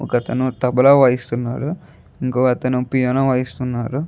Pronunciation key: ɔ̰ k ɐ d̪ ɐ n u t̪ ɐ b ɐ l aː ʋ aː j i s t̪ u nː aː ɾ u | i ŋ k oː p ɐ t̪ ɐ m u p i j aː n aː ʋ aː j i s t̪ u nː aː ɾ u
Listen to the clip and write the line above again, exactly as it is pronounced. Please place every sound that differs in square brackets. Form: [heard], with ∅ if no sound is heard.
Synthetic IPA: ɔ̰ k ɐ [t̪] ɐ n u t̪ ɐ b ɐ l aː ʋ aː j i s t̪ u nː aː ɾ u | i ŋ k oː [∅] ɐ t̪ ɐ [n] u p i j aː n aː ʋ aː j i s t̪ u nː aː ɾ u